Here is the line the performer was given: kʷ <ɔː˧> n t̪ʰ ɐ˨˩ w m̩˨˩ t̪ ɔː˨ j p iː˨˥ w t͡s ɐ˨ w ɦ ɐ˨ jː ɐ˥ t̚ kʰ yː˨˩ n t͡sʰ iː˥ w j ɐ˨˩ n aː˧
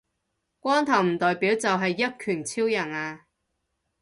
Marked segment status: incorrect: ɔː˥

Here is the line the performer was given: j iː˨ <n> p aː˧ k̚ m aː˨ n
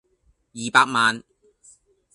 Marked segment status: incorrect: none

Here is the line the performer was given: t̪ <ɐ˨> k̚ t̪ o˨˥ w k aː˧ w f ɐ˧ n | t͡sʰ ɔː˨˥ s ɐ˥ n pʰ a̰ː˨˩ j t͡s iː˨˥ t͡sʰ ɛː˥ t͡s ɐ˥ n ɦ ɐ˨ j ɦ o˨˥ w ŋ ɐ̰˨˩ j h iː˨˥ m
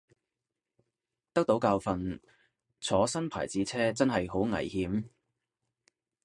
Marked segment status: incorrect: ɐ˥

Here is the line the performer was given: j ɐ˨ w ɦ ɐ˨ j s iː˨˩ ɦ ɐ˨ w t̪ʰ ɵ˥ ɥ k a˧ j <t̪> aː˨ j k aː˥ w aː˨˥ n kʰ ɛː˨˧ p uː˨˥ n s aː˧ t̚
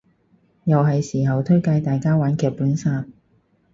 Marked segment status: correct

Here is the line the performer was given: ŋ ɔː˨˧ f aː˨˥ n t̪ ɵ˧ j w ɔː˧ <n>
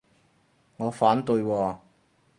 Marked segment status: incorrect: none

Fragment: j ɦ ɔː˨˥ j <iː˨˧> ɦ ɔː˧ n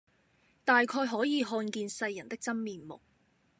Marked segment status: correct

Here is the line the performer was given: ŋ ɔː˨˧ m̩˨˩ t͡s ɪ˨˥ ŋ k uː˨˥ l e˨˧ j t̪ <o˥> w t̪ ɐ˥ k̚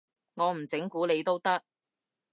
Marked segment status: correct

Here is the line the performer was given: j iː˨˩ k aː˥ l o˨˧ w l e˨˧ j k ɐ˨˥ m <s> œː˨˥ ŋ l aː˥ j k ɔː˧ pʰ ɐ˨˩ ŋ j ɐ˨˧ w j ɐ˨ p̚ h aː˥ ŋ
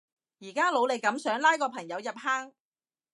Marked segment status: correct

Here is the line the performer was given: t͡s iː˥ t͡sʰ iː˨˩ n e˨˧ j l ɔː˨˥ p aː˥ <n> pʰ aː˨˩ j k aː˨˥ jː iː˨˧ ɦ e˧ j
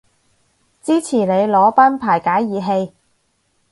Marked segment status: correct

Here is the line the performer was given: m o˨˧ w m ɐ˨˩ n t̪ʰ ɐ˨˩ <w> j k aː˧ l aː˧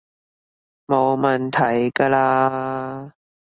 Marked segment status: incorrect: none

